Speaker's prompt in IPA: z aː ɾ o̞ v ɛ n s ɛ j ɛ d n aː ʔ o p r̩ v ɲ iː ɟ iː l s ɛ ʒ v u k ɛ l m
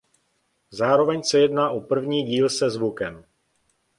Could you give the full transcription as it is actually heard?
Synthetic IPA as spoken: z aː ɾ o̞ v ɛ ɲ s ɛ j ɛ d n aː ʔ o p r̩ v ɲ iː ɟ iː l s ɛ z v u k ɛ m